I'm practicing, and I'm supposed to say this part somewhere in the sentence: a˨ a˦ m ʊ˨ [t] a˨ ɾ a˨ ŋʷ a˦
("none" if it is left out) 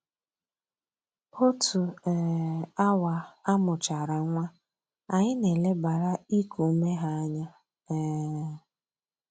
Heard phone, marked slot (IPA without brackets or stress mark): t͡ʃ